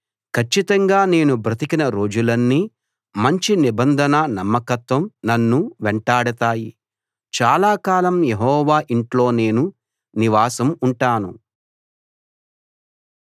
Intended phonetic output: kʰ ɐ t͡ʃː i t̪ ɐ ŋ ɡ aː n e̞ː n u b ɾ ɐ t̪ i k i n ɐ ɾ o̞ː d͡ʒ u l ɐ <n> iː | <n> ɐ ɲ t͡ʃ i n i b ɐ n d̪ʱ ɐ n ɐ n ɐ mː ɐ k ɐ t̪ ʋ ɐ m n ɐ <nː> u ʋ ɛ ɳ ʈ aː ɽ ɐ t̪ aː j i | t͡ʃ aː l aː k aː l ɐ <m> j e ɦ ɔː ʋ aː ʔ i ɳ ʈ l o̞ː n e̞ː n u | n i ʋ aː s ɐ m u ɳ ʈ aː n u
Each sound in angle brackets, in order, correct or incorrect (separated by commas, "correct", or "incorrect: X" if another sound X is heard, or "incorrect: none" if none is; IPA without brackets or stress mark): incorrect: nː, incorrect: m, correct, correct